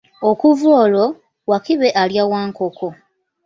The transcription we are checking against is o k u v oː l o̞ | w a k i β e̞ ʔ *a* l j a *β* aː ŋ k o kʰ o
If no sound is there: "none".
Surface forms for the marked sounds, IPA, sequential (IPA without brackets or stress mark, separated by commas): a, w